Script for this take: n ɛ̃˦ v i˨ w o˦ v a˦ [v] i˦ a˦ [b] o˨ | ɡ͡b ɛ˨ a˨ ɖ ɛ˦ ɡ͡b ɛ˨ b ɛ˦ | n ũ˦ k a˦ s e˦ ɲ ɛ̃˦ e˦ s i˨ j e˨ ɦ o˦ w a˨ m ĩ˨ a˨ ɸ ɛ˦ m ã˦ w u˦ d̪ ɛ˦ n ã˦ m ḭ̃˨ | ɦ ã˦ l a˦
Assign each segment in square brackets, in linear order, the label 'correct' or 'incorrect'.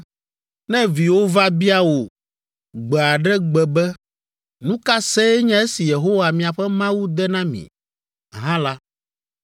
incorrect: b, incorrect: w

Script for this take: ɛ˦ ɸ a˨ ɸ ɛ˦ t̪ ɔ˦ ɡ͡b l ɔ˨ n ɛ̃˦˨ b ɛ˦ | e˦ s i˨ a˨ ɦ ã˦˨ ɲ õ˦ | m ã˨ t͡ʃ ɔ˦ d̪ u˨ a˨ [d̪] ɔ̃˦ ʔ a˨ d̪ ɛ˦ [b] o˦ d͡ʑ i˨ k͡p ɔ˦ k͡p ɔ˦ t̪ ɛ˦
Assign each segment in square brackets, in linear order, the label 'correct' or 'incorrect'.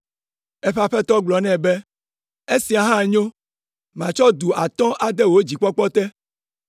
incorrect: t̪, incorrect: w

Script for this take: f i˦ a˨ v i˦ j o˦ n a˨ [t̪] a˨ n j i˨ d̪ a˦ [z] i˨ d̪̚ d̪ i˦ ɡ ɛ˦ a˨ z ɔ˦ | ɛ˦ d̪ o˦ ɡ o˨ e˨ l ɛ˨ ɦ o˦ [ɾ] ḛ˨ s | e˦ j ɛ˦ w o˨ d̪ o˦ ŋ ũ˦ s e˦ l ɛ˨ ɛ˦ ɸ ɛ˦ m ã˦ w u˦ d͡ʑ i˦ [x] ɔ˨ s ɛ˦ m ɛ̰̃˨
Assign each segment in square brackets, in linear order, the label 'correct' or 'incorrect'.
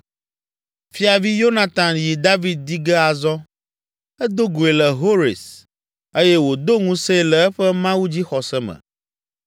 correct, incorrect: v, correct, correct

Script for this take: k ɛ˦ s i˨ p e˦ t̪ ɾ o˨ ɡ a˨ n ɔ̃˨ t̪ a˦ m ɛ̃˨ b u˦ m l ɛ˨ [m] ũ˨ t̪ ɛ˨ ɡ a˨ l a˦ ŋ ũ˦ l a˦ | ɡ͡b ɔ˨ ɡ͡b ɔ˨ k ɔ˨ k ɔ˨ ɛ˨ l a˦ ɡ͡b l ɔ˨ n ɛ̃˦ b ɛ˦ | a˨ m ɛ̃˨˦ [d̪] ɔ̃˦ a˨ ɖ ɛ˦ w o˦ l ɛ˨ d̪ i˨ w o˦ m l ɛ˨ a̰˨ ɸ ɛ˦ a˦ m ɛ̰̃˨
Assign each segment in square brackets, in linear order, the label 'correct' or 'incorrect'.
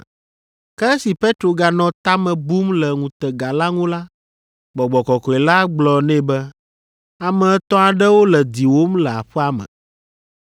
incorrect: ŋ, incorrect: t̪

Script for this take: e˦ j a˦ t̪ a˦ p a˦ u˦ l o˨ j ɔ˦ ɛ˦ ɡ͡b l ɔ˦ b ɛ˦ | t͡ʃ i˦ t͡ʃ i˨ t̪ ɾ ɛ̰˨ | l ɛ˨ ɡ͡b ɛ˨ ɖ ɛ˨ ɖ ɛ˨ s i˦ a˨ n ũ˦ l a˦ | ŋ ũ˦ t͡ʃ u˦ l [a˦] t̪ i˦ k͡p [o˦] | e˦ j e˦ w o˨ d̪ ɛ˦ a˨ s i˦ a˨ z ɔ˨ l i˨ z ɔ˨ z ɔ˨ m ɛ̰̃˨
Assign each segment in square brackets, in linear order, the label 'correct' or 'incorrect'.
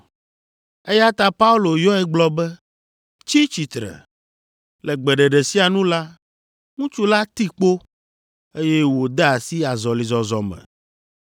correct, correct

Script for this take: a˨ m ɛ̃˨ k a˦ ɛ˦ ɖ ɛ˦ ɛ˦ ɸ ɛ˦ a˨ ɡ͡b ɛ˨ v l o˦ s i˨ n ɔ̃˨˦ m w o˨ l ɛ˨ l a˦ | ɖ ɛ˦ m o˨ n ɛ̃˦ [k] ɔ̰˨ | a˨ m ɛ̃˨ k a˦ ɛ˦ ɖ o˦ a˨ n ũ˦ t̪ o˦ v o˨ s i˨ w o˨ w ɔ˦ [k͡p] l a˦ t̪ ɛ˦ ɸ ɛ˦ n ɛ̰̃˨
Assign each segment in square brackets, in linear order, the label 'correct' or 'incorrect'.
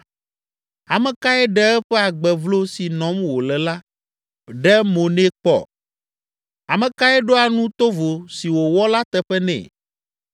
incorrect: k͡p, incorrect: none

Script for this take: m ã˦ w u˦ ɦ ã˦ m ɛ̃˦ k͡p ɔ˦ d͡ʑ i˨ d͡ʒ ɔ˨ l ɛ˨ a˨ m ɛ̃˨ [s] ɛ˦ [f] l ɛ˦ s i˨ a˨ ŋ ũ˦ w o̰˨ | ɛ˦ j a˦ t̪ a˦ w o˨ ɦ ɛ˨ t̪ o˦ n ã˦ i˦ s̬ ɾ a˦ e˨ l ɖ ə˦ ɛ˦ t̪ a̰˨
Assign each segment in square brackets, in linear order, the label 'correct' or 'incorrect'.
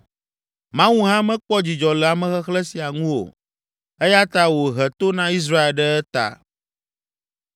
incorrect: x, incorrect: x

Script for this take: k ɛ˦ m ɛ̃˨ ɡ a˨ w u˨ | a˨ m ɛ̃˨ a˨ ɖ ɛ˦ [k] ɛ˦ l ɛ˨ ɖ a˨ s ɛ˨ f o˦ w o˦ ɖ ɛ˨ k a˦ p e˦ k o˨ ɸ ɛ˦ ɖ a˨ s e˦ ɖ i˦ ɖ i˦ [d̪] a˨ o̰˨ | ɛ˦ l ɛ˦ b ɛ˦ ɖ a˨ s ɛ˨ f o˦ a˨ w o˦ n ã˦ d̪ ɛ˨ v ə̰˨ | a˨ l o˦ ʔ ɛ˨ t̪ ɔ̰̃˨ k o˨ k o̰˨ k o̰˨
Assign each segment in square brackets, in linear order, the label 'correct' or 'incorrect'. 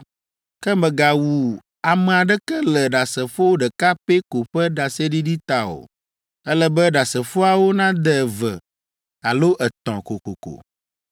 correct, incorrect: t̪

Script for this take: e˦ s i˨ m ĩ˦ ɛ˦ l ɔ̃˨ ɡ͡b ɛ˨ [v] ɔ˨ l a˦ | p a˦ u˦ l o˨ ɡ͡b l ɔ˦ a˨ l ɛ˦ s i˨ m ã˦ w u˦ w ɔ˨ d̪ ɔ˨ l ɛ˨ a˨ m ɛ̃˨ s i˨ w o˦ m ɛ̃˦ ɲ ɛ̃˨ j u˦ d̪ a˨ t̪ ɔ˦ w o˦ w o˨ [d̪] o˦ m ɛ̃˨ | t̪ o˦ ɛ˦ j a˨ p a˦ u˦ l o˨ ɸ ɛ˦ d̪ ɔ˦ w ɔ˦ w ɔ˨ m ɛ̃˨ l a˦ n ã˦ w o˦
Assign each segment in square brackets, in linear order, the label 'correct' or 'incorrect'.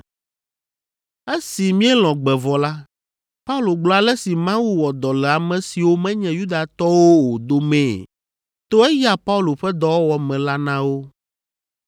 correct, correct

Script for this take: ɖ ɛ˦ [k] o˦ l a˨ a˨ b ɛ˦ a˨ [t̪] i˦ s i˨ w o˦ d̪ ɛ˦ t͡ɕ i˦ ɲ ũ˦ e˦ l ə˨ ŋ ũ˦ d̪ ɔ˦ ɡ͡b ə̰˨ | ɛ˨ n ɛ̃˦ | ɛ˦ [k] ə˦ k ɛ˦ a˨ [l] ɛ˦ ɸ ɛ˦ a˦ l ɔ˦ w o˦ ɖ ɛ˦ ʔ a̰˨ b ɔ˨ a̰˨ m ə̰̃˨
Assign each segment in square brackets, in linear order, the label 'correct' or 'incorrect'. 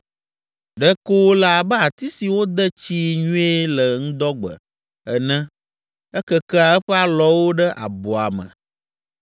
correct, correct, correct, incorrect: none

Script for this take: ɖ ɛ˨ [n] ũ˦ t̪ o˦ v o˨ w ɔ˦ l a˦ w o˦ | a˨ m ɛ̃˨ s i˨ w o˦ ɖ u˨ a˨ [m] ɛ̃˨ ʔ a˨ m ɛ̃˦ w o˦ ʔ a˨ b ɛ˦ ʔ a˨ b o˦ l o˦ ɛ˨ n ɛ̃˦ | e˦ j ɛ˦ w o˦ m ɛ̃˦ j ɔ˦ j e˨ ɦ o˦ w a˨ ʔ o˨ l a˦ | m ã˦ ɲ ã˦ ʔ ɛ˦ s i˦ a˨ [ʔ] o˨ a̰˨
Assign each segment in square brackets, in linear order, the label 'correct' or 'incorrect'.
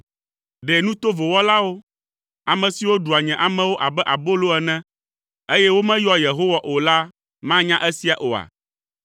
correct, incorrect: ɲ, correct

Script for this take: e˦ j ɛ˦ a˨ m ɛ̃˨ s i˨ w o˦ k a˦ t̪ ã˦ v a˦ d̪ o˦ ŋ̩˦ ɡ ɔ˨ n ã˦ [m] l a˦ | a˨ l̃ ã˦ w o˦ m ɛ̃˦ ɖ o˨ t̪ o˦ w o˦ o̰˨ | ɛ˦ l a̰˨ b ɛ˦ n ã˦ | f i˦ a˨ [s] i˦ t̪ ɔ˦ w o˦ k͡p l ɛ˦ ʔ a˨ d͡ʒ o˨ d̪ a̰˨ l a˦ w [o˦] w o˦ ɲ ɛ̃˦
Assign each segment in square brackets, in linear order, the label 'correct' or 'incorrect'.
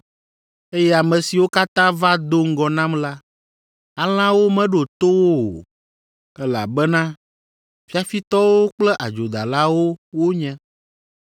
correct, incorrect: f, correct

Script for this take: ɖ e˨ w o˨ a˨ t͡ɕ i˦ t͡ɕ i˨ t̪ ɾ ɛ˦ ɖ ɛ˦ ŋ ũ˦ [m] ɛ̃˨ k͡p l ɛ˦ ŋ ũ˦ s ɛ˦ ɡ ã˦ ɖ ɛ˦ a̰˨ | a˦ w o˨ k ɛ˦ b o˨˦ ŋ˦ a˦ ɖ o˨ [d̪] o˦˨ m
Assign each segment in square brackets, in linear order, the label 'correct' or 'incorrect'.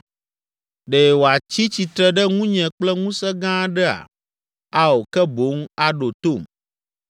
incorrect: ɲ, incorrect: t̪

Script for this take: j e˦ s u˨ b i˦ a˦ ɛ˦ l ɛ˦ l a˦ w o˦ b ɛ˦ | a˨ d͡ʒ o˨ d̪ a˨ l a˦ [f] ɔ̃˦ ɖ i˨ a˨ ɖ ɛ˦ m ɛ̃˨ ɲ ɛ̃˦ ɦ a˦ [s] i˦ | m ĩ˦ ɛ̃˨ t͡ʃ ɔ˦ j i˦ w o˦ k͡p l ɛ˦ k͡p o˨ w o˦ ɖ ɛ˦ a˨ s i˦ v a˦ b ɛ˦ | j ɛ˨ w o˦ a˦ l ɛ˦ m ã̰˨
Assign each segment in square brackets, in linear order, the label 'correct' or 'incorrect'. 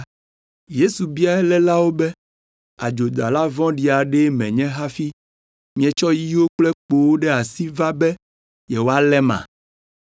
incorrect: v, incorrect: f

